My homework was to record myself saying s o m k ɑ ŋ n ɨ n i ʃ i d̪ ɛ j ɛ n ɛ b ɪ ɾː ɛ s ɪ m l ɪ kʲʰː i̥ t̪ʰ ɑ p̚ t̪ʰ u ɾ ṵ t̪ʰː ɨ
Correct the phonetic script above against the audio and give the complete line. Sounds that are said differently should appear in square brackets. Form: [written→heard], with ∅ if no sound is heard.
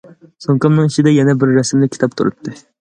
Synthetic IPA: s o [m→ŋ] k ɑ [ŋ→m] n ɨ [n→ŋ] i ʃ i d̪ ɛ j ɛ n ɛ b ɪ ɾː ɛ s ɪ m l ɪ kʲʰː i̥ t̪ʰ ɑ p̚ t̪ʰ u ɾ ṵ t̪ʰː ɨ